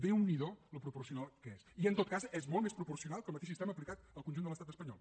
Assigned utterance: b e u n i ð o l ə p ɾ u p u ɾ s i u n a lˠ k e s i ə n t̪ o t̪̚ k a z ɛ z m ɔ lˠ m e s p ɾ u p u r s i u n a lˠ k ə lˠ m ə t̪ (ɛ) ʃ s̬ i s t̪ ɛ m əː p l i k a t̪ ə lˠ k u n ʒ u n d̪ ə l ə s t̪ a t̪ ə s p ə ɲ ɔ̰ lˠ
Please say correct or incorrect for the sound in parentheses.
incorrect